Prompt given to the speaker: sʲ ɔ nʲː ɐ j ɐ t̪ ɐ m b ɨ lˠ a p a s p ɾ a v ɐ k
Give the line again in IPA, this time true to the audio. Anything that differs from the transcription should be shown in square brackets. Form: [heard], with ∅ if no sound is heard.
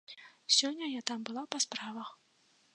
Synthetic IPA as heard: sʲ ɔ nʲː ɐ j [a] t̪ [a] m b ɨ lˠ a p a s p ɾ a v ɐ [x]